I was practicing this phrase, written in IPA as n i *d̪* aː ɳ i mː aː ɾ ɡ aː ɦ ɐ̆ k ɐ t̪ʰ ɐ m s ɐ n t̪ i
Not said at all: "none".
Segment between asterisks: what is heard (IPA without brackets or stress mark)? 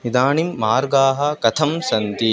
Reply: d̪